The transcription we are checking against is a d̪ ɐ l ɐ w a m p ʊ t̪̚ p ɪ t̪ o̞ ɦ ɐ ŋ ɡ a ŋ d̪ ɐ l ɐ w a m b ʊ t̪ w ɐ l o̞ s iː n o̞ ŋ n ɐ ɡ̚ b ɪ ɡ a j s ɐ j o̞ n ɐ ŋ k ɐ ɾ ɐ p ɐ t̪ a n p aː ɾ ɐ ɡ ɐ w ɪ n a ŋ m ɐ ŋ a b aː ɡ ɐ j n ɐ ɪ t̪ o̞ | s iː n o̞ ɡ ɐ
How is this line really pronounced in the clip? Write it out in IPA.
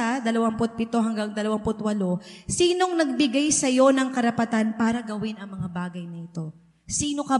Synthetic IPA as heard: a d̪ ɐ l ɐ w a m p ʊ t̪̚ p ɪ t̪ o̞ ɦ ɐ ŋ ɡ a ŋ d̪ ɐ l ɐ w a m p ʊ t̪ w ɐ l o̞ s iː n o̞ ŋ n ɐ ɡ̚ b ɪ ɡ a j s ɐ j o̞ n ɐ ŋ k ɐ ɾ ɐ p ɐ t̪ a n p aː ɾ ɐ ɡ ɐ w ɪ n ɐ ŋ m ɐ ŋ a b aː ɡ ɐ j n ɐ ɪ t̪ o̞ | s iː n o̞ k ɐ